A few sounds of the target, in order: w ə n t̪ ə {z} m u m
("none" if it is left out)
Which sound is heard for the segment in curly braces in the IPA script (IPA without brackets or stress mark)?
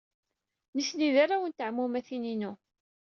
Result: ʕ